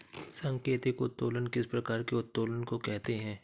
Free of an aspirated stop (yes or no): yes